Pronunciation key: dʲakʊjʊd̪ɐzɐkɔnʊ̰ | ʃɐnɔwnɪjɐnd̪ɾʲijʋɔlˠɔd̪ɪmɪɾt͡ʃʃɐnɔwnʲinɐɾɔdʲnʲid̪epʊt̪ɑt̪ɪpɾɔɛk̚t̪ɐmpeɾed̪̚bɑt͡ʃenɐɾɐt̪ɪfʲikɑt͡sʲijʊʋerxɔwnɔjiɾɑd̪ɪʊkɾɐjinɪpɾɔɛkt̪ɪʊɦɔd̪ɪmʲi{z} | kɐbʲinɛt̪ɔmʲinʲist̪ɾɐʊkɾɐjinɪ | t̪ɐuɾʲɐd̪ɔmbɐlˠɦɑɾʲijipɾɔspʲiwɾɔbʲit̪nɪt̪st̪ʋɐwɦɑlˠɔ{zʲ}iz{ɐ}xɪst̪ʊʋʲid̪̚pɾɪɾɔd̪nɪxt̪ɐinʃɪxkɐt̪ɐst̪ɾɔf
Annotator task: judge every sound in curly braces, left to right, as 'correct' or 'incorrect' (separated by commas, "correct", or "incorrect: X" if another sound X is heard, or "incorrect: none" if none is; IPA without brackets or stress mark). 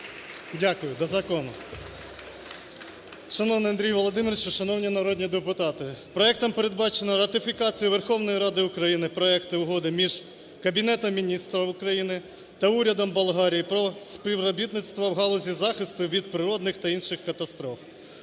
incorrect: ʒ, correct, incorrect: ɑ